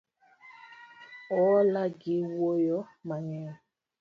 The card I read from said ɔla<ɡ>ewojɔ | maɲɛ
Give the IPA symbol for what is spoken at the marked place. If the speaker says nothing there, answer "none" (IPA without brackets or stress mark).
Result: ɡ